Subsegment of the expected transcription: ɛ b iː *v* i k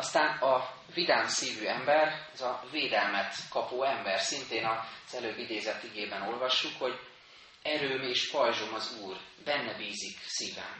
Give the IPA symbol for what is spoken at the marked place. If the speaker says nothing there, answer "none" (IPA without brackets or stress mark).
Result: z